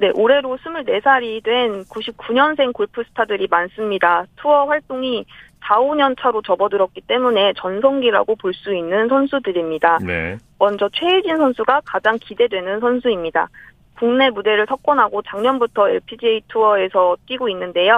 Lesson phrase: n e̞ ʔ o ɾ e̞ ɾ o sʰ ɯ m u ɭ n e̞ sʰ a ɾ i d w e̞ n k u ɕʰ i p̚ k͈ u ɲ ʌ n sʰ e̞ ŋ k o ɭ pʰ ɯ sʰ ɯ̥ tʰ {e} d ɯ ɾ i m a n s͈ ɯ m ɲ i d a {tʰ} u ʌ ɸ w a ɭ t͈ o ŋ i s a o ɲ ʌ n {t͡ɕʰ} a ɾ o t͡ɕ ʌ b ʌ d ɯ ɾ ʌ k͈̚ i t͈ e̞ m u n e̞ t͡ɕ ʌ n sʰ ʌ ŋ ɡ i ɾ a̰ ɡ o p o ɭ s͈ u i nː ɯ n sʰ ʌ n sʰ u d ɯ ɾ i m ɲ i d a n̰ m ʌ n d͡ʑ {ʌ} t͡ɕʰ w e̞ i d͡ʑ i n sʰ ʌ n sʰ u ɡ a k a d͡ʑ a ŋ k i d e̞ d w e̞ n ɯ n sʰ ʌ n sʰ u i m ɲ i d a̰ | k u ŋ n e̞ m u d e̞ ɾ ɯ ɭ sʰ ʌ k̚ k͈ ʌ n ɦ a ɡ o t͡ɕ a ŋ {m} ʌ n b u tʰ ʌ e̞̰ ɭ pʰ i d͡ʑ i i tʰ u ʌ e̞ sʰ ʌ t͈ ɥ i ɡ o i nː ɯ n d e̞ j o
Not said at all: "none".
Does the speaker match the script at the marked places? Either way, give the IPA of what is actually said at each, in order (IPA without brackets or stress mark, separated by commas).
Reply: a, tʰ, t͡ɕʰ, ʌ, ɲ